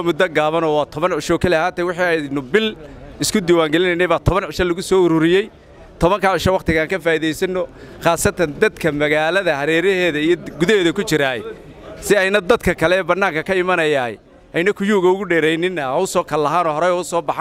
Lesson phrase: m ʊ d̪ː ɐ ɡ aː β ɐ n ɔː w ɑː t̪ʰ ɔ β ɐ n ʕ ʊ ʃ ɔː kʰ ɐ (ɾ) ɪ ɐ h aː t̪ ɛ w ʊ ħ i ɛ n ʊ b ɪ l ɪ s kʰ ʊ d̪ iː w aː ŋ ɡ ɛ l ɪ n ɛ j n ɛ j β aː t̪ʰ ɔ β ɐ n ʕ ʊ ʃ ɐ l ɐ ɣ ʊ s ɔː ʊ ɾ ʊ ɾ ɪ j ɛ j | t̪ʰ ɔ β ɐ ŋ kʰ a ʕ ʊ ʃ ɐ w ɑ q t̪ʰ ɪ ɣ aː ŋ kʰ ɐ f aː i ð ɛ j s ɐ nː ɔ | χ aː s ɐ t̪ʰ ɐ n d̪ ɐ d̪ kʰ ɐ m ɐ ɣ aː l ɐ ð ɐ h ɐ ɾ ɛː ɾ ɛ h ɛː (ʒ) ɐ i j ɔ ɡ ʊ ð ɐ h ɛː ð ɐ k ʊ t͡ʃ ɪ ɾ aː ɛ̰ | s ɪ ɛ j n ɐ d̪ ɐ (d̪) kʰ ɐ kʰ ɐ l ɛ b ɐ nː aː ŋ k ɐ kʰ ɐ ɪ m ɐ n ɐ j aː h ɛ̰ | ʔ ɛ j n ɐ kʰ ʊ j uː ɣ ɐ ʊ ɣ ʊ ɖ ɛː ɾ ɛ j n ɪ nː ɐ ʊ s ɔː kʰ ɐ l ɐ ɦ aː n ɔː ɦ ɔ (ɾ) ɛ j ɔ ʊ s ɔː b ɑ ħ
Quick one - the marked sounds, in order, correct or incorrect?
incorrect: l, incorrect: ð, correct, correct

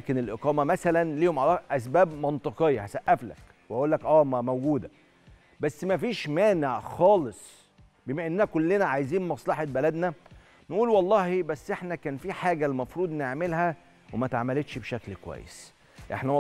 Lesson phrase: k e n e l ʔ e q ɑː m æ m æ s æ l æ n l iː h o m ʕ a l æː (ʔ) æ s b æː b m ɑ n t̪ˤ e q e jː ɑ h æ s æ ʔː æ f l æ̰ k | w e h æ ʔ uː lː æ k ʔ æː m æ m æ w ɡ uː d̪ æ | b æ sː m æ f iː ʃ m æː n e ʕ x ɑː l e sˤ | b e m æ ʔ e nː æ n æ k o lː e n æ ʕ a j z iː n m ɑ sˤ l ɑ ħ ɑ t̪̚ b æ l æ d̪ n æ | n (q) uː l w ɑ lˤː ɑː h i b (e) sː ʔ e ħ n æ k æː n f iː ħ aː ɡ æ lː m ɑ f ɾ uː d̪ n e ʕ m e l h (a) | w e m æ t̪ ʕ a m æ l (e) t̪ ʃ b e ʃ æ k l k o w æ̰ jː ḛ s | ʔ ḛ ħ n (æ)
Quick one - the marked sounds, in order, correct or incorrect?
correct, incorrect: ʔ, incorrect: æ, incorrect: æ, correct, correct

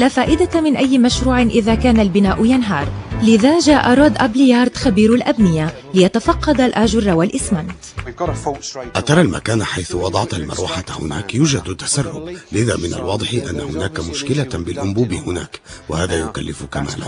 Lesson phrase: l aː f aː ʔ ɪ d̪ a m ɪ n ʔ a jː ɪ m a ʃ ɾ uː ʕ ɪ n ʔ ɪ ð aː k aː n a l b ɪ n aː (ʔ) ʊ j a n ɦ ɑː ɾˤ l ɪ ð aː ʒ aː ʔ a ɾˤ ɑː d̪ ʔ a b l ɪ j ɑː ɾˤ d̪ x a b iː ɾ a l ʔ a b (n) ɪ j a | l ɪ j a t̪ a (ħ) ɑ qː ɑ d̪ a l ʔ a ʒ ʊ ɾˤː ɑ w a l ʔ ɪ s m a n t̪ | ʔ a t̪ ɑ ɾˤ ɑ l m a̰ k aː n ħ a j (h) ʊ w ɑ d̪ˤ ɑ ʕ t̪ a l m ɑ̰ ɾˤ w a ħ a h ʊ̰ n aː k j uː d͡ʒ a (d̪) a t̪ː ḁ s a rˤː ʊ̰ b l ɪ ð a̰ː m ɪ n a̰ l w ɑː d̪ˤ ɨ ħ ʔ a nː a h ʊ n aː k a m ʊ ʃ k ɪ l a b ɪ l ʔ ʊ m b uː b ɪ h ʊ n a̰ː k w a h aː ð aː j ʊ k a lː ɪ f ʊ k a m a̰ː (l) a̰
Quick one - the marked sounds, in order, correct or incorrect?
correct, correct, incorrect: f, incorrect: θ, correct, correct

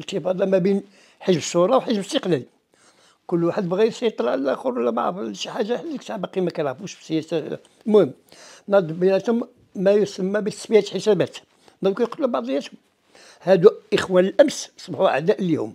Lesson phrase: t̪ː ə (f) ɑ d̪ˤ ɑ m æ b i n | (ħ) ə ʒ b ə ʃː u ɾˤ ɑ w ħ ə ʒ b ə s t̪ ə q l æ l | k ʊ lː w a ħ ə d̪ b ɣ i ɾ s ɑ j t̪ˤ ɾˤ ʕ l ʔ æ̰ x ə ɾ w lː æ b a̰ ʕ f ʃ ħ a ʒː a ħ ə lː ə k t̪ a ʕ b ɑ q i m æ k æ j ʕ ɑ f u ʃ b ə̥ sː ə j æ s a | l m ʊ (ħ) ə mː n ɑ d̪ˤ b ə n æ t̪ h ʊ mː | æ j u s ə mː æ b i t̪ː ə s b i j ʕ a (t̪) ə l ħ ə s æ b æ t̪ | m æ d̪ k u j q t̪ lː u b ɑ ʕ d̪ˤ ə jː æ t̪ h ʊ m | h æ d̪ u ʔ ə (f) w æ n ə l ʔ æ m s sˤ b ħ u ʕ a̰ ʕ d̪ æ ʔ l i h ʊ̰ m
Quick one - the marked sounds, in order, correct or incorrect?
correct, correct, incorrect: h, correct, incorrect: x

